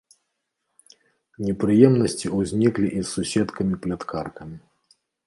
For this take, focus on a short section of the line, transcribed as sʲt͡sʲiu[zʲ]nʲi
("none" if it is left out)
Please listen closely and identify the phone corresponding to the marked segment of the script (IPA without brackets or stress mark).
zʲ